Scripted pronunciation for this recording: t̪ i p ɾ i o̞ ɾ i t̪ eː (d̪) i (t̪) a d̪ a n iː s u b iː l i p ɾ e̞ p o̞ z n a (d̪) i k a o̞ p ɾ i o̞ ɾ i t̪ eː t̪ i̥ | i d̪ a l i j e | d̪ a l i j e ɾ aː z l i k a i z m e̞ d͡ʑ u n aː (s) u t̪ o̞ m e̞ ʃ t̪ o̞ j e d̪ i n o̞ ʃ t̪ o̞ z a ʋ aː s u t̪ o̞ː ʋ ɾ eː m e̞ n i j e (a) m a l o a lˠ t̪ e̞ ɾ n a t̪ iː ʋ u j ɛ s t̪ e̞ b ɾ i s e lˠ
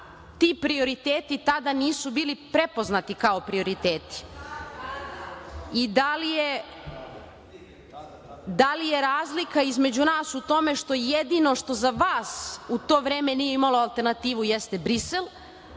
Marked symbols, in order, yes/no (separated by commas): no, yes, no, yes, no